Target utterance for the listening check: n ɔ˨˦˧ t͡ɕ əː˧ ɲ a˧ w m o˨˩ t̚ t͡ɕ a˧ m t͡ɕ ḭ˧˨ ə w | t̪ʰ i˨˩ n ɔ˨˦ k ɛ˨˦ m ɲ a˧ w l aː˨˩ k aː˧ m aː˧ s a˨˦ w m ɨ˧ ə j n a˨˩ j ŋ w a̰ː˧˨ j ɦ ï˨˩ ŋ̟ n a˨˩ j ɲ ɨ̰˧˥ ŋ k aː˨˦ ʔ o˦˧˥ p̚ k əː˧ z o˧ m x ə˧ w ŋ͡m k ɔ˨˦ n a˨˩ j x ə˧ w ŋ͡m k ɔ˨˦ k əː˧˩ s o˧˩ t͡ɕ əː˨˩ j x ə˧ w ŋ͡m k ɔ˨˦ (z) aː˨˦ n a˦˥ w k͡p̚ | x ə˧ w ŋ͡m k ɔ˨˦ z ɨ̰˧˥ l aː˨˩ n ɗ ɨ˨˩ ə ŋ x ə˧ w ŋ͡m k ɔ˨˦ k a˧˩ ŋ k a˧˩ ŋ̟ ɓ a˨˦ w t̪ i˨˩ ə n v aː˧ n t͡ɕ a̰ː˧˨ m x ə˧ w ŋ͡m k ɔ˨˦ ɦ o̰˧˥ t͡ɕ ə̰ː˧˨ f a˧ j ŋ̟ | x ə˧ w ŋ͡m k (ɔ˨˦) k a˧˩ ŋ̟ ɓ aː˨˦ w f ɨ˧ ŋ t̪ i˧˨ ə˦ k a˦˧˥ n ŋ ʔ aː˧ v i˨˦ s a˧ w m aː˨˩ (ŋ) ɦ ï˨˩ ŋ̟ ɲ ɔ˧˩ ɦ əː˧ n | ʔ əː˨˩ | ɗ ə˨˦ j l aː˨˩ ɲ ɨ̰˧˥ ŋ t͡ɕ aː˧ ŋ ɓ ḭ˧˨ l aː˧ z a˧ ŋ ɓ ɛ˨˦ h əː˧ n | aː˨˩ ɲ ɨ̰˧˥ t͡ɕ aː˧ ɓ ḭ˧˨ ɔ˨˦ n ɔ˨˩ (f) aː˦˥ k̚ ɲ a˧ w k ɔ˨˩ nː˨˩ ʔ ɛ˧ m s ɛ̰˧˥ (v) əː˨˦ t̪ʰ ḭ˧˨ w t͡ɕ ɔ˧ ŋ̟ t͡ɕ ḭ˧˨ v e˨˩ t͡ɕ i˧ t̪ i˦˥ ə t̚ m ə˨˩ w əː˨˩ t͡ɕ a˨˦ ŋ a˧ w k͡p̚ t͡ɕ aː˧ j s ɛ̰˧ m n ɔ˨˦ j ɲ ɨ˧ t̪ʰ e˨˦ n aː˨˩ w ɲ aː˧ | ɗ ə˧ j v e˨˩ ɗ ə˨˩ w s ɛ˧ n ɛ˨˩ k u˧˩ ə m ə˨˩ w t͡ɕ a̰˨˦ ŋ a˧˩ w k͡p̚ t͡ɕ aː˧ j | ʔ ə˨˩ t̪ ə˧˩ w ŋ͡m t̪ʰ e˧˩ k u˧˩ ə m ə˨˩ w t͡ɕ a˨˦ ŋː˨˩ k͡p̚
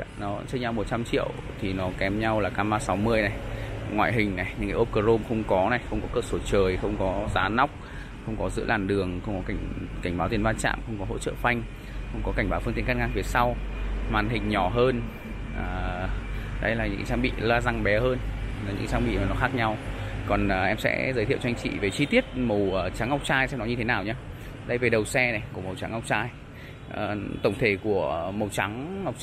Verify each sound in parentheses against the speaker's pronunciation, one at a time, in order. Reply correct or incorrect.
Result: correct, correct, incorrect: n, incorrect: x, incorrect: z

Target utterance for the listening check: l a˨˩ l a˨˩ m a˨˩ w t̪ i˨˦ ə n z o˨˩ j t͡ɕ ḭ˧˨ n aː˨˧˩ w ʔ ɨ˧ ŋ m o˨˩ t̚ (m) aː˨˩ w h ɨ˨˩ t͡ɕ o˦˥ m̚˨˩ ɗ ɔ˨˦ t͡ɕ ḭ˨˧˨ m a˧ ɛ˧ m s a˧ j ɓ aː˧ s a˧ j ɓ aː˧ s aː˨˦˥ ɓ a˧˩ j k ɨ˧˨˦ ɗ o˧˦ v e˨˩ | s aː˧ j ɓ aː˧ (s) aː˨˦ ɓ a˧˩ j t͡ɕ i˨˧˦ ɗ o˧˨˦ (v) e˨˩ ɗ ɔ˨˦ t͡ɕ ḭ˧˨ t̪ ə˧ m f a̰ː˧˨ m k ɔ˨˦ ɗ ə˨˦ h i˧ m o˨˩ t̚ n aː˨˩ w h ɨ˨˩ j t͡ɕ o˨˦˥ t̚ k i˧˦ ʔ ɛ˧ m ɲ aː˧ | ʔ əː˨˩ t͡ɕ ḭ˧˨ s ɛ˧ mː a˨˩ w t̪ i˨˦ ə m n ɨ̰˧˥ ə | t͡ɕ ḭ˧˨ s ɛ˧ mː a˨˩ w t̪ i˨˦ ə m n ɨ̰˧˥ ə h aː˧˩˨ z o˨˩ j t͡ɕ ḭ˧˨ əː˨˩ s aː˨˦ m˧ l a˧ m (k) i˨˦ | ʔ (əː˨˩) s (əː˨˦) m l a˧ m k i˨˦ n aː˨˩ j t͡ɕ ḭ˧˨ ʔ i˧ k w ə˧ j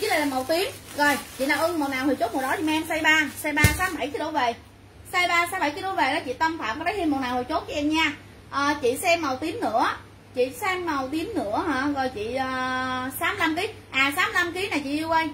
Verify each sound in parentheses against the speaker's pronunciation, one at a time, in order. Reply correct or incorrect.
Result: incorrect: n, correct, correct, correct, incorrect: aː˨˩, incorrect: aː˨˦

